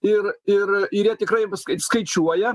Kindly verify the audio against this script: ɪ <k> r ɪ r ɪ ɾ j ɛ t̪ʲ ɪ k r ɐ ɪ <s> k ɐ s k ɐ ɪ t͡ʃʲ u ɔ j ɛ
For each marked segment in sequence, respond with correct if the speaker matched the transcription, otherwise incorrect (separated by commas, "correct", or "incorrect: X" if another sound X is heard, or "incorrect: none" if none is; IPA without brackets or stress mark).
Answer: incorrect: none, correct